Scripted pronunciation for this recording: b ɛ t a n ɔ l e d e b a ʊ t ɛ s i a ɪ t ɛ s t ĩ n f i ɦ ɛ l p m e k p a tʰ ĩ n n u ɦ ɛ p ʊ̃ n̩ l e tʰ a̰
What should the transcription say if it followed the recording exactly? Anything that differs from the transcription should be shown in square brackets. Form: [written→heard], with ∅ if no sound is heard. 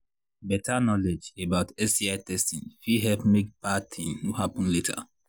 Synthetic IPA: b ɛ t a n ɔ l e [d→d͡ʒ] e b a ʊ t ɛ s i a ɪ t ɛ s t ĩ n f i ɦ ɛ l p m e k p a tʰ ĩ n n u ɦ [ɛ→a] p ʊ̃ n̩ l e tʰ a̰